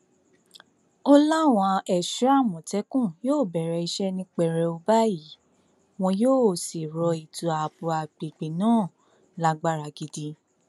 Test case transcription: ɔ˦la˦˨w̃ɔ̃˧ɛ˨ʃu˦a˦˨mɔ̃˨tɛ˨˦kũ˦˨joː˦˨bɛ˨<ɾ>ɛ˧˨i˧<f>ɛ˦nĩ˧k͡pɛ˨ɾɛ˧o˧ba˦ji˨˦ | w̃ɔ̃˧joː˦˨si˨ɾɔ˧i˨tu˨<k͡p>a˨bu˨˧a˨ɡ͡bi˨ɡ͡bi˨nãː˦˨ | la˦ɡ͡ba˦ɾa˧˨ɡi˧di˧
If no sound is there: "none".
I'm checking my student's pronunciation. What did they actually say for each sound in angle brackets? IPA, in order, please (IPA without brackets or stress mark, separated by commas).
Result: ɾ, ʃ, none